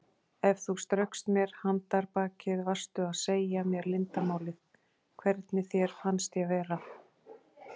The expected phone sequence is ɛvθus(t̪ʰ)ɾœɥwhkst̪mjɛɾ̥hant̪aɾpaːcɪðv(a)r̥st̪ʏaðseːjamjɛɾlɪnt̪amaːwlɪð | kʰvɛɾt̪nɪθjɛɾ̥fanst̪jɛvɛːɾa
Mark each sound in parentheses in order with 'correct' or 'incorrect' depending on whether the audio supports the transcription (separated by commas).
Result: incorrect, correct